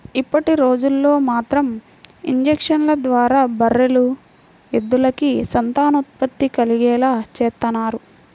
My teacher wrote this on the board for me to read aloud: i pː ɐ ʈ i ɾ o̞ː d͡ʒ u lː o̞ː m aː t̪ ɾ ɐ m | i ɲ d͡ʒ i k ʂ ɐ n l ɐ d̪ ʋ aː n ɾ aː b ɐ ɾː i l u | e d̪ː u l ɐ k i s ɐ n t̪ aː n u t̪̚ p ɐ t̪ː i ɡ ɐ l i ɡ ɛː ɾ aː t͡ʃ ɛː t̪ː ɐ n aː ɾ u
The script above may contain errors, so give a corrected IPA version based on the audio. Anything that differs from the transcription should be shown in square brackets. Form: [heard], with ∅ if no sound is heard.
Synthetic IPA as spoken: i pː ɐ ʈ i ɾ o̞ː d͡ʒ u lː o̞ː m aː t̪ ɾ ɐ m | i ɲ d͡ʒ [e] k ʂ ɐ n l ɐ d̪ ʋ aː [∅] ɾ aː b ɐ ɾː [e] l u | e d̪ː u l ɐ k i s ɐ n t̪ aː n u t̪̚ p ɐ t̪ː i [k] ɐ l i ɡ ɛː [l] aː t͡ʃ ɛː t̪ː ɐ n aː ɾ u